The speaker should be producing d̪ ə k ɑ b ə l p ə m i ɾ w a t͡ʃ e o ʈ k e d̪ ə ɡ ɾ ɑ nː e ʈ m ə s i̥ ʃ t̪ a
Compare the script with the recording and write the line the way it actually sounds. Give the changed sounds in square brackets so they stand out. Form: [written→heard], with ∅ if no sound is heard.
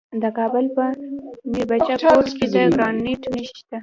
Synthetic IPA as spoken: d̪ ə k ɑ b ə l p ə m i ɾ [w→b] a t͡ʃ [e→a] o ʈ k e d̪ ə ɡ ɾ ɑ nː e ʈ [m→n] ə [s→ʃ] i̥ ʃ t̪ a